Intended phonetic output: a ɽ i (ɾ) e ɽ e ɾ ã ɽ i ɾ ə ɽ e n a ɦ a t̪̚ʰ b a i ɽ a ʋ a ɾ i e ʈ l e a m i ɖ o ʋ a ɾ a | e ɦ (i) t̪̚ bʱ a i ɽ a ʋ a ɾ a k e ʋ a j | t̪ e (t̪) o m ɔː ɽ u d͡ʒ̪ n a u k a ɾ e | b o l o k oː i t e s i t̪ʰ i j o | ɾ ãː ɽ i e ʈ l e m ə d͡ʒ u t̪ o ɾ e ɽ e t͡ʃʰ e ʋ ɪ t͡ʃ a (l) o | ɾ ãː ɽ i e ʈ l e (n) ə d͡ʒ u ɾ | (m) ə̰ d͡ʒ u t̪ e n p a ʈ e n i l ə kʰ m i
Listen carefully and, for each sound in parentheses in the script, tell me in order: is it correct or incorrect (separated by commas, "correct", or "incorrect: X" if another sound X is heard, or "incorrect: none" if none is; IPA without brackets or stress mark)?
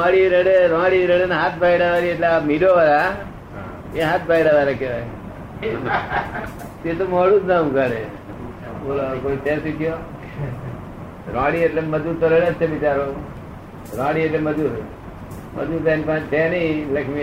correct, incorrect: a, correct, incorrect: ɾ, incorrect: m, correct